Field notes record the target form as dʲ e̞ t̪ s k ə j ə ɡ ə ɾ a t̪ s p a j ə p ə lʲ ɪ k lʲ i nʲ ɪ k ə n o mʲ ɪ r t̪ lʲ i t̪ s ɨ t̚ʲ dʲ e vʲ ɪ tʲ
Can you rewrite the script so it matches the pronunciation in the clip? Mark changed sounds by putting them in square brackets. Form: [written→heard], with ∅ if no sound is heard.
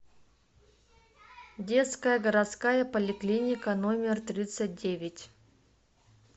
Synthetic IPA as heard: dʲ e̞ t̪ s k ə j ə ɡ ə ɾ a t̪ s [p→k] a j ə p ə lʲ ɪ k lʲ i nʲ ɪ k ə n o mʲ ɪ r t̪ [lʲ→ɾʲ] i t̪ s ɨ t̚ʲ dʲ e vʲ ɪ tʲ